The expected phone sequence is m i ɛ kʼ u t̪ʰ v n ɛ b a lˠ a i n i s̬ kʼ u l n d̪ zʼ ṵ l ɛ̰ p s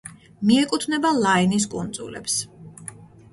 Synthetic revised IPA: m i ɛ kʼ u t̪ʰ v n ɛ b a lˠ a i n i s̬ kʼ u n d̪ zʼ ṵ l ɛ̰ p s

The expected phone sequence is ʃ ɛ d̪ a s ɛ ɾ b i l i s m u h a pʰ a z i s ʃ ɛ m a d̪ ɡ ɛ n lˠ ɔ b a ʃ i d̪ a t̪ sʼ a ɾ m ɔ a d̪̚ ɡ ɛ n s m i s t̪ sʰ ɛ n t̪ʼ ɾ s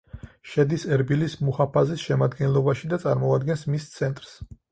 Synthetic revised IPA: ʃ ɛ d̪ i s ɛ ɾ b i l i s m u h a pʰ a z i s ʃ ɛ m a d̪ ɡ ɛ n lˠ ɔ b a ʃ i d̪ a t̪ sʼ a ɾ m ɔ a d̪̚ ɡ ɛ n s m i s t̪ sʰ ɛ n t̪ʼ ɾ s

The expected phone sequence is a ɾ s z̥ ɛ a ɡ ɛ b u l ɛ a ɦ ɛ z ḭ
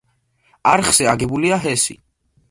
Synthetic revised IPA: a ɾ χ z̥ ɛ a ɡ ɛ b u l i a ɦ ɛ s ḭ

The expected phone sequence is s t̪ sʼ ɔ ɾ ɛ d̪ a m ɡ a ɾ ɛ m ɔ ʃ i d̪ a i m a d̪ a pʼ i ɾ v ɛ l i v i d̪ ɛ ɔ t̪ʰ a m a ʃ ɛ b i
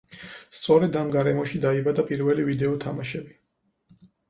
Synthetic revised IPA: s t̪ sʼ ɔ ɾ ɛ d̪ a m ɡ a ɾ ɛ m ɔ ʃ i d̪ a i b a d̪ a pʼ i ɾ v ɛ l i v i d̪ ɛ ɔ t̪ʰ a m a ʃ ɛ b i

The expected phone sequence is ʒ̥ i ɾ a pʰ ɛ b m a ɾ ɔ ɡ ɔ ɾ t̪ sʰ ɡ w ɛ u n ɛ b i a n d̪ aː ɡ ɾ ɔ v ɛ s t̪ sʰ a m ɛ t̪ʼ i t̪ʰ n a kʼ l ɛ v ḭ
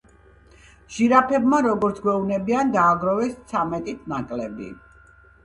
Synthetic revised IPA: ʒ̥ i ɾ a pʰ ɛ b m a ɾ ɔ ɡ ɔ ɾ t̪ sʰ ɡ w ɛ u n ɛ b i a n d̪ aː ɡ ɾ ɔ v ɛ s t̪ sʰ a m ɛ t̪ʼ i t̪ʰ n a kʼ l ɛ b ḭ

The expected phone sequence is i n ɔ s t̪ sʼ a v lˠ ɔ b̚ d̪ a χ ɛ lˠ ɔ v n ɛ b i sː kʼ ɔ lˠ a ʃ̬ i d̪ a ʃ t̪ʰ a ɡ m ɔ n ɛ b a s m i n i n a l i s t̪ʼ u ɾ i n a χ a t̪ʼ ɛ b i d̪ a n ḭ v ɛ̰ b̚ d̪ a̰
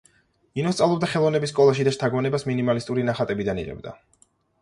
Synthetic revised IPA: i n ɔ s t̪ sʼ a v lˠ ɔ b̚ d̪ a χ ɛ lˠ ɔ v n ɛ b i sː kʼ ɔ lˠ a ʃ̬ i d̪ a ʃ t̪ʰ a ɡ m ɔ n ɛ b a s m i n i m a l i s t̪ʼ u ɾ i n a χ a t̪ʼ ɛ b i d̪ a n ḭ ʁ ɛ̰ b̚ d̪ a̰

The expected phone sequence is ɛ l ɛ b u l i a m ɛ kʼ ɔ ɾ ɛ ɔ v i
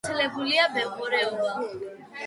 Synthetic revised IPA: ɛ l ɛ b u l i a b ɛ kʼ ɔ ɾ ɛ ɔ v a

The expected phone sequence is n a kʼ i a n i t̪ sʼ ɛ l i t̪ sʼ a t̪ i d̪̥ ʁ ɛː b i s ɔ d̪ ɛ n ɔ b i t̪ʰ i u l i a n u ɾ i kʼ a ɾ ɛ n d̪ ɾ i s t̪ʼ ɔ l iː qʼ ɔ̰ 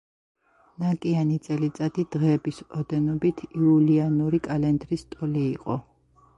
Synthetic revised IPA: n a kʼ i a n i t̪ sʼ ɛ l i t̪ sʼ a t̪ i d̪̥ ʁ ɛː b i s ɔ d̪ ɛ n ɔ b i t̪ʰ i u l i a n u ɾ i kʼ a l ɛ n d̪ ɾ i s t̪ʼ ɔ l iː qʼ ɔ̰

